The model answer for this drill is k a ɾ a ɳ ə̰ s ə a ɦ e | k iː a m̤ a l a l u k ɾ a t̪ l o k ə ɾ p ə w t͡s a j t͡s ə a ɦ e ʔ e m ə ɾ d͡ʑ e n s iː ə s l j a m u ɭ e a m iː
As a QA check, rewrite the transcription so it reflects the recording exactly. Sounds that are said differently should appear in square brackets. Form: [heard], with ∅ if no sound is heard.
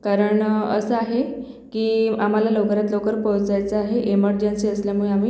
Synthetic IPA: k a ɾ [ə] ɳ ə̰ s ə a ɦ e | k iː a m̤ a l a l [o] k ɾ a t̪ l o k ə ɾ p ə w t͡s a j t͡s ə a ɦ e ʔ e m ə ɾ d͡ʑ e n s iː ə s l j a m u ɭ e a m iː